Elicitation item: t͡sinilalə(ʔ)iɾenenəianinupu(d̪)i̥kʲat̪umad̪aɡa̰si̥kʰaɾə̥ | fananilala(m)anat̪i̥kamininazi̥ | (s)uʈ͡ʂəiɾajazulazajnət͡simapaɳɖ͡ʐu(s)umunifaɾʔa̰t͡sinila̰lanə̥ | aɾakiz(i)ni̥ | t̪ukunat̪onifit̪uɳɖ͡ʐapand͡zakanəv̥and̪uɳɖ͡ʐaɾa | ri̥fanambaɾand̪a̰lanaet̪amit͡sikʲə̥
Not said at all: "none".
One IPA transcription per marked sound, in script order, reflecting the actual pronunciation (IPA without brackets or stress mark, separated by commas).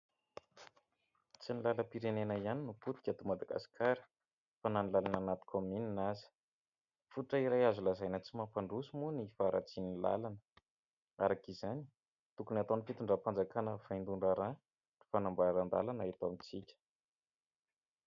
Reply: p, t̪, n, f, s, a